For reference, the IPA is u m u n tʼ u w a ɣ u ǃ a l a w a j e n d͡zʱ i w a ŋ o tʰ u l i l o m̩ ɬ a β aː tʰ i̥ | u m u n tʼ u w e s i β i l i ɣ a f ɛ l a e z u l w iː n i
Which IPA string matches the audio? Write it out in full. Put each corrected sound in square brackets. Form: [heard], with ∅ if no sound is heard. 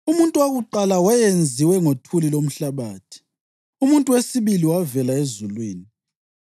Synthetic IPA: u m u n tʼ u w a ɣ u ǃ a l a w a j e n d͡zʱ i w [ɛ] ŋ o tʰ u l i l o m̩ ɬ a β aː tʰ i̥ | u m u n tʼ u w e s i β i l i [w] a [v] ɛ l a e z u l w iː n i